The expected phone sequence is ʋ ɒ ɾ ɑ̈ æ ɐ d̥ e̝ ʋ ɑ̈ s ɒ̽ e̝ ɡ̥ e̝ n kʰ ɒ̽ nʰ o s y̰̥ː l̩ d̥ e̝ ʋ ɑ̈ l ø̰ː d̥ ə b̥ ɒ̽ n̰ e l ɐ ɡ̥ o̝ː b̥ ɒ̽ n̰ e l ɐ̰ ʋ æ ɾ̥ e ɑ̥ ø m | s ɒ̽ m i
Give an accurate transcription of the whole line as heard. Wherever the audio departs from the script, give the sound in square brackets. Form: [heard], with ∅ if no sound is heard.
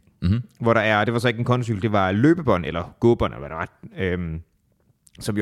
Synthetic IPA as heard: ʋ ɒ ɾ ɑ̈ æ ɐ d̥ e̝ ʋ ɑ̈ s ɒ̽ e̝ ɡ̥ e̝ n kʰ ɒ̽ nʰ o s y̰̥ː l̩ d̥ e̝ ʋ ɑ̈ l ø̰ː [b̥] ə b̥ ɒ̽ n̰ e l ɐ ɡ̥ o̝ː b̥ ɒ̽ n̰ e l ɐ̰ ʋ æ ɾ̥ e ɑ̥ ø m | s ɒ̽ m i